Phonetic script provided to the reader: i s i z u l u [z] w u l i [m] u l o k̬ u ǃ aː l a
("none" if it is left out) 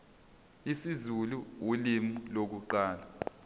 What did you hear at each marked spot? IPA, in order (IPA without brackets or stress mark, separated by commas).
none, m